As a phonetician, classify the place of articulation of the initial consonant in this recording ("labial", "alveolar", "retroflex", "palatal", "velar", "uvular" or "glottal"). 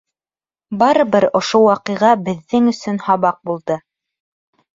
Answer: labial